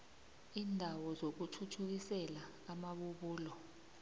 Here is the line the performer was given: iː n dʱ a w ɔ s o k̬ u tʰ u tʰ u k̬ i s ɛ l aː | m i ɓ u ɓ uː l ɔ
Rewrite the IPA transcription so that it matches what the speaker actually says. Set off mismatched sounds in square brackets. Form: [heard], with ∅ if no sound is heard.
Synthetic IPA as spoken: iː n dʱ a w ɔ [z] o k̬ u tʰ u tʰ u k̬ i s ɛ l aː | m [a] ɓ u ɓ uː l ɔ